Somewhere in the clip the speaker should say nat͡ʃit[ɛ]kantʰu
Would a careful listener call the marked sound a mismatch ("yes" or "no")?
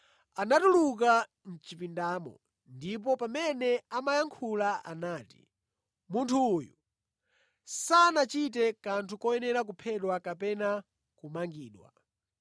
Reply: no